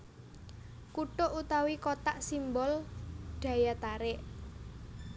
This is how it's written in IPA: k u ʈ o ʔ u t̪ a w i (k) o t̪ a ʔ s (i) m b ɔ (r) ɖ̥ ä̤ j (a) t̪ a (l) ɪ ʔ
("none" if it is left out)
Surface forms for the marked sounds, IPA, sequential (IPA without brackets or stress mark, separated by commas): k, i, l, a, ɾ